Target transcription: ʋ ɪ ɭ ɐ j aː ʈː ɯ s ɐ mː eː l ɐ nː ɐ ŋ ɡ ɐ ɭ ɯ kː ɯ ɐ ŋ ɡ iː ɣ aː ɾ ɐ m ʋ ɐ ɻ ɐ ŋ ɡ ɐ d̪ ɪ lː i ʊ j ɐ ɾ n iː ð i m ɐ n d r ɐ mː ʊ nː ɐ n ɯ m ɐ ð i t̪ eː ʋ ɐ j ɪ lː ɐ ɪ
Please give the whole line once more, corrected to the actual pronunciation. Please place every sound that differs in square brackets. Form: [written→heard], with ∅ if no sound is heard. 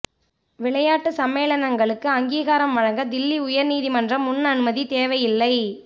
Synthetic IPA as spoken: ʋ ɪ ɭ ɐ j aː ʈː ɯ s ɐ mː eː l ɐ [nː→n] ɐ ŋ ɡ ɐ ɭ ɯ kː ɯ ɐ ŋ ɡ iː ɣ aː ɾ ɐ m ʋ ɐ ɻ ɐ ŋ ɡ ɐ d̪ ɪ lː i ʊ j ɐ ɾ n iː ð i m ɐ n d r ɐ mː ʊ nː ɐ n ɯ m ɐ ð i t̪ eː ʋ ɐ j ɪ lː ɐ ɪ